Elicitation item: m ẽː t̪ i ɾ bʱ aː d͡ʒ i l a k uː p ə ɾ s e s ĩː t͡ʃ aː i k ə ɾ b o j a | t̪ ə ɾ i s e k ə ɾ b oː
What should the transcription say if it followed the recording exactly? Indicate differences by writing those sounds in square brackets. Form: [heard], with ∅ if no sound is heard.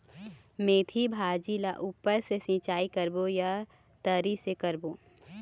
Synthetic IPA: m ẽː [t̪ʰ] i [∅] bʱ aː d͡ʒ i l a [ʔ] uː p ə ɾ s e s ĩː t͡ʃ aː i k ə ɾ b o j a | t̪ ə ɾ i s e k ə ɾ b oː